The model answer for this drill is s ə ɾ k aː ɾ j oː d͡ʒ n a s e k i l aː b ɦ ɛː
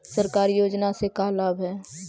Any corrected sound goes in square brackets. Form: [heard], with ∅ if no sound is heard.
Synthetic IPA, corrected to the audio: s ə ɾ k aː ɾ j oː d͡ʒ n a s e k [a] l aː b ɦ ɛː